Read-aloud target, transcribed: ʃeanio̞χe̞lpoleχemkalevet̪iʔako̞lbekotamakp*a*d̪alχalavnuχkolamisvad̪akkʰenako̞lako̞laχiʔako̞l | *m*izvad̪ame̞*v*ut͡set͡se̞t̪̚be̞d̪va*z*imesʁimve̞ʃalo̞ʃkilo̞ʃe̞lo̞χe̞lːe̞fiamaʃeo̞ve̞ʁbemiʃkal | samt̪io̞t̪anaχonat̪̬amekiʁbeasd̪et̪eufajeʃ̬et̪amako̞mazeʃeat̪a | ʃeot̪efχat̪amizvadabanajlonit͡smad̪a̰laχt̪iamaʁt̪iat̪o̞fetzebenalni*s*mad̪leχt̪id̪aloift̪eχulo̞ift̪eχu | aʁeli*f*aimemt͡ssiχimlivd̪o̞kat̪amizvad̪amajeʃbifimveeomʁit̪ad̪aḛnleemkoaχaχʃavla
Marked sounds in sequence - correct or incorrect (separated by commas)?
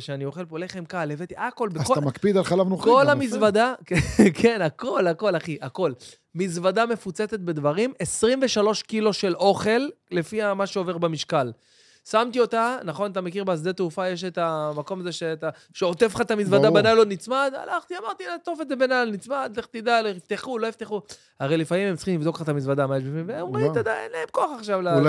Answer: incorrect, correct, incorrect, incorrect, incorrect, correct